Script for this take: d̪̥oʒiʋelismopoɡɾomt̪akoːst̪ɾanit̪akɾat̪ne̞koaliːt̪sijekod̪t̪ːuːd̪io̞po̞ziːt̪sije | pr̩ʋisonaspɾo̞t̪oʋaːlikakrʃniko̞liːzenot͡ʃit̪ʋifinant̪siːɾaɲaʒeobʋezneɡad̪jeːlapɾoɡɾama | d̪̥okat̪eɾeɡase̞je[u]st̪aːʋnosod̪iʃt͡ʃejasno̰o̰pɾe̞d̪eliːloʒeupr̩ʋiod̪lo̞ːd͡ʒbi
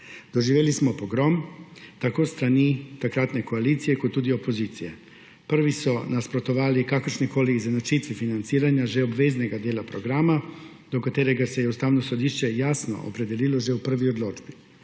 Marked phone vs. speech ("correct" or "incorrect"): correct